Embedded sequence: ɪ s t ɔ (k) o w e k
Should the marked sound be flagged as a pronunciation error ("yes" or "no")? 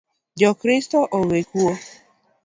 yes